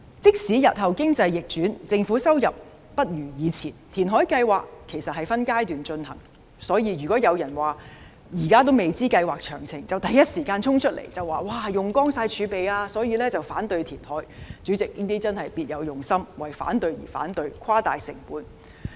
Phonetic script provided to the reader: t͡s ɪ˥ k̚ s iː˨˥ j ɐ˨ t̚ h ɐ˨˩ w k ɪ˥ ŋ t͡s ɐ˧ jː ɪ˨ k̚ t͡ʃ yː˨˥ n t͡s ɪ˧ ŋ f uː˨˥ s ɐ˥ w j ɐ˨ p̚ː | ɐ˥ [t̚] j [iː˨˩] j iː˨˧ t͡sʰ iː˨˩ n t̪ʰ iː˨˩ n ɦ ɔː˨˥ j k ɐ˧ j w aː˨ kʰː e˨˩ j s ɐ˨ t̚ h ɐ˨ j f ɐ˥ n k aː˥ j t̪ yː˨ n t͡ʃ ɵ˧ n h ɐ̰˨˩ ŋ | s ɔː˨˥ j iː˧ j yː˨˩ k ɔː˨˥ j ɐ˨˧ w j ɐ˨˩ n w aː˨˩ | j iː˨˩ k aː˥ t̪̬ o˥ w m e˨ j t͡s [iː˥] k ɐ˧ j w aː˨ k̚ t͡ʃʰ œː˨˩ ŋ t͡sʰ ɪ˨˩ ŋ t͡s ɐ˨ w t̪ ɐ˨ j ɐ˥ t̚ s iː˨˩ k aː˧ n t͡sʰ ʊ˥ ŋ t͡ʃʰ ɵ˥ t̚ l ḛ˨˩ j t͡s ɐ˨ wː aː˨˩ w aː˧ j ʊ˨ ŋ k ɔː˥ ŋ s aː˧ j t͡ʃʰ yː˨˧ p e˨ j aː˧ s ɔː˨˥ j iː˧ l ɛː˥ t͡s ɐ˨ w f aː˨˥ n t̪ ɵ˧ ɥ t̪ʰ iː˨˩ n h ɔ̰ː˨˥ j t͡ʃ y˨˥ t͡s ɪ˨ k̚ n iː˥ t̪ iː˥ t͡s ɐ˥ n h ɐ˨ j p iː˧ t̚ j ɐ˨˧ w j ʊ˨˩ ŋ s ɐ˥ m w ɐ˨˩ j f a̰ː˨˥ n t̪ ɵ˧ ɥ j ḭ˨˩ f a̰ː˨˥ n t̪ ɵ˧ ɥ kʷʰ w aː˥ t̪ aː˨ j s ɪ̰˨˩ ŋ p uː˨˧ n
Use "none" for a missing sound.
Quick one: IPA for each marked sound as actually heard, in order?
t̚, yː˨˩, iː˥

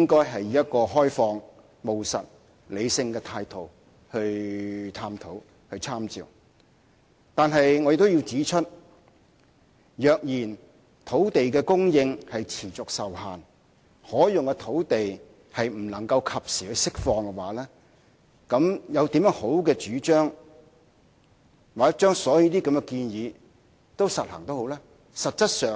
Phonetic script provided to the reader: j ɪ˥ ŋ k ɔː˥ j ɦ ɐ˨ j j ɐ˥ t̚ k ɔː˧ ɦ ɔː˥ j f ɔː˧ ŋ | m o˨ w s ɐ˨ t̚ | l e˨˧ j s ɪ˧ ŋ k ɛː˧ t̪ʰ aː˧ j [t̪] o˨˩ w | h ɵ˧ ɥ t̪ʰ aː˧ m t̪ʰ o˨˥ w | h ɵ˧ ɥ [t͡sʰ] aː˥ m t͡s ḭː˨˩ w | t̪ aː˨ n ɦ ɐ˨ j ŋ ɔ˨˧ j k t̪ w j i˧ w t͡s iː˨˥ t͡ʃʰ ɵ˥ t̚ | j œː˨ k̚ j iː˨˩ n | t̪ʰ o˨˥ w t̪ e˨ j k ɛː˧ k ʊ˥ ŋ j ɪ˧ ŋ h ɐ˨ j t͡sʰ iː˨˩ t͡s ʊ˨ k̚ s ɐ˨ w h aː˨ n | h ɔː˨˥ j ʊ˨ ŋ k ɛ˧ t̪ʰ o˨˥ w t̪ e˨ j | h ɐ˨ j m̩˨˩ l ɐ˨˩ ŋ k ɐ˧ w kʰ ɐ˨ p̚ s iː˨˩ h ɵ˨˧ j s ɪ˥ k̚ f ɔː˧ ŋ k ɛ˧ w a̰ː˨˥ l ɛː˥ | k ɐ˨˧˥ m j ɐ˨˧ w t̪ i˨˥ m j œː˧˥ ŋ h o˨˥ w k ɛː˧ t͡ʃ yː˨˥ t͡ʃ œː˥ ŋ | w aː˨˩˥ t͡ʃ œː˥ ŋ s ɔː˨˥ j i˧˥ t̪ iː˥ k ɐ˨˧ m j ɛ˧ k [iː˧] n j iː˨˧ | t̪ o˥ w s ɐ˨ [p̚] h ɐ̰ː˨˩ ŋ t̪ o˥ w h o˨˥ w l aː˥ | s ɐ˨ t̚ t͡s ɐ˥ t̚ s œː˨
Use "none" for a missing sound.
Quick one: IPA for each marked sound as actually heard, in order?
t̪ʰ, t͡sʰ, iː˧, t̚

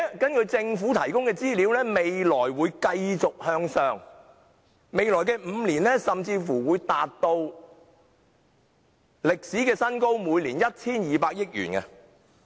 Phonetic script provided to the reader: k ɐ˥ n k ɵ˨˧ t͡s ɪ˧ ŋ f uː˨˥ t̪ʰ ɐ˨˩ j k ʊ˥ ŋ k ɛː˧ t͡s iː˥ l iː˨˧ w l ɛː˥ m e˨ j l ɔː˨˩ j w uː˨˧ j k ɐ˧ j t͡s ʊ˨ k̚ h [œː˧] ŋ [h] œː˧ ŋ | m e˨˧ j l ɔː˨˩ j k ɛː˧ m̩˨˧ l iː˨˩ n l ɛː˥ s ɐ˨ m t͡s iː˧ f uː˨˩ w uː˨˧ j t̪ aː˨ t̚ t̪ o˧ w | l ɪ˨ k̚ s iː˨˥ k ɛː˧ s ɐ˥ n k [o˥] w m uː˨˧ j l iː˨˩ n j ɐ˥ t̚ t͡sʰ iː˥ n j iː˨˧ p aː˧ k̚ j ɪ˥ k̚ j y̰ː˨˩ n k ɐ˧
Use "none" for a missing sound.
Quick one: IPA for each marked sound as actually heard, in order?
œː˧, s, o˥

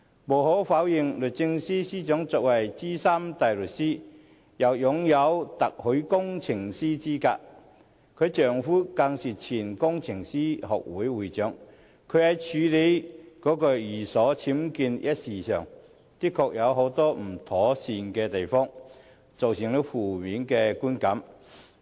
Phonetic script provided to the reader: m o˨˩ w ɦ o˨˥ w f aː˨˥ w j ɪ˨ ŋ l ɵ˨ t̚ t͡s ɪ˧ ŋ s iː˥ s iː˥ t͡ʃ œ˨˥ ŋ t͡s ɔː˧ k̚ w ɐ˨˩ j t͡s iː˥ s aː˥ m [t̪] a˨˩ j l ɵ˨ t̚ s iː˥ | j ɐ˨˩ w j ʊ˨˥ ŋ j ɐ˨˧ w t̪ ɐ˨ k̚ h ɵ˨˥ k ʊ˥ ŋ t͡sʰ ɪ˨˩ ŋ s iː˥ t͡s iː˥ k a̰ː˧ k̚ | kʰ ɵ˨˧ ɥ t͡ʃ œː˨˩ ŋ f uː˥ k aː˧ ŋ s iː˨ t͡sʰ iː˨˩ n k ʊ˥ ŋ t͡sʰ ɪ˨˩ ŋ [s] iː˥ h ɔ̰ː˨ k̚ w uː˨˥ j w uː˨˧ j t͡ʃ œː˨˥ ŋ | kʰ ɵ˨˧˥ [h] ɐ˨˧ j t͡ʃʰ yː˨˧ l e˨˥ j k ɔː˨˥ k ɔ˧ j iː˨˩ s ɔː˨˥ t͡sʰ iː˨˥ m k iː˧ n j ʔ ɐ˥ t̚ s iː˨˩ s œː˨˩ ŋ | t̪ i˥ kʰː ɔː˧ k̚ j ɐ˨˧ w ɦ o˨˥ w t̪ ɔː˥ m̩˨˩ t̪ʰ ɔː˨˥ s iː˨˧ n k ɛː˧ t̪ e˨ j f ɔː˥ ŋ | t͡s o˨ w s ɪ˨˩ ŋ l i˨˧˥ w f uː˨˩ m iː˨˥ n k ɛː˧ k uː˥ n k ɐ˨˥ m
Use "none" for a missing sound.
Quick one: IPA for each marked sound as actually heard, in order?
t̪, s, h

